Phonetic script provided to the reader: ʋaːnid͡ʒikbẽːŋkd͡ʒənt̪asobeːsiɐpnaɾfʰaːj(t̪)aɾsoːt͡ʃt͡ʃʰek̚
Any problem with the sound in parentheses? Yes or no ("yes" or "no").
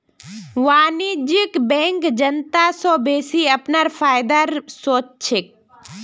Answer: yes